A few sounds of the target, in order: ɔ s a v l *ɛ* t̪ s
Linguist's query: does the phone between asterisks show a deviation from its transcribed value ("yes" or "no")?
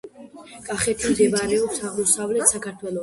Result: no